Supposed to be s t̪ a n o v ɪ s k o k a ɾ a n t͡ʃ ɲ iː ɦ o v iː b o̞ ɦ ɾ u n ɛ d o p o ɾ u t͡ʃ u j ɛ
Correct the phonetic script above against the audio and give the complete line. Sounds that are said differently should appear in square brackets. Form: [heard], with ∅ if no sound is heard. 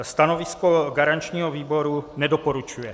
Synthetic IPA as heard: s t̪ a n o v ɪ s k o [ɡ] a ɾ a n t͡ʃ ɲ iː ɦ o v iː b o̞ [∅] ɾ u n ɛ d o p o ɾ u t͡ʃ u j ɛ